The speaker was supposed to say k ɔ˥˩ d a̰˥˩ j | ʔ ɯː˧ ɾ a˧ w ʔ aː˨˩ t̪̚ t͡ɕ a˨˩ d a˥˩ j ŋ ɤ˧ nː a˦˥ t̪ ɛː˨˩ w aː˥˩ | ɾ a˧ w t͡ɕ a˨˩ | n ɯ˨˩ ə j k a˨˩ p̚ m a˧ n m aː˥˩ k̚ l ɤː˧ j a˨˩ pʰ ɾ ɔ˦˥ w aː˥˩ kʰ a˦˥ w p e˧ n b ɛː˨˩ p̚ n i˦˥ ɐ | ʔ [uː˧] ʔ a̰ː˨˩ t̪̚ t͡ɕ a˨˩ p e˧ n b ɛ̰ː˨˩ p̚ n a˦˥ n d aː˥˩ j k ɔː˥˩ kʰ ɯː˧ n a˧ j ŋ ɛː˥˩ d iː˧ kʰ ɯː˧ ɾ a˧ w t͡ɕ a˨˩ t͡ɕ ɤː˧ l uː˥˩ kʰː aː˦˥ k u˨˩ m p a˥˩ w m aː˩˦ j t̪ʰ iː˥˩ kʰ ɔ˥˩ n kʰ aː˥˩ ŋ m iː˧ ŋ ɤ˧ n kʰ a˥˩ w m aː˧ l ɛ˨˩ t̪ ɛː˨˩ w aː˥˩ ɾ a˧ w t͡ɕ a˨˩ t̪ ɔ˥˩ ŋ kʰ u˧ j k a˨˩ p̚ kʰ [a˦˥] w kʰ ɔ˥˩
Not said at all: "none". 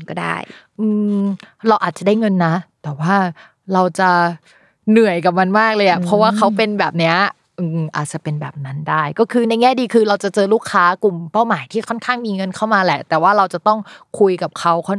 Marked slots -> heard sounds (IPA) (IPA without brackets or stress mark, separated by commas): ɯː˧, a˦˥